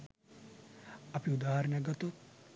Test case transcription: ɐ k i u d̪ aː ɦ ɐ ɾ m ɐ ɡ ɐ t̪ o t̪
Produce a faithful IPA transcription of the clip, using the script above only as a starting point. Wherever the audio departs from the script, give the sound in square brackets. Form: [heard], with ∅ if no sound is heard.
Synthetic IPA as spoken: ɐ [p] i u d̪ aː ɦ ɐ ɾ [n] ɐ ɡ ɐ t̪ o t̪